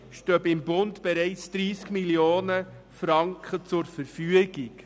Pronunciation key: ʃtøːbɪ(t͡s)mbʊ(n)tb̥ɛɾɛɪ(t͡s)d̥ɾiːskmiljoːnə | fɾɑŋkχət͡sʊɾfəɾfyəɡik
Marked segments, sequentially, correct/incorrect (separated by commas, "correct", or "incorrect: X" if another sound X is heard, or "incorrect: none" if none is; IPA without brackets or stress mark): incorrect: none, correct, correct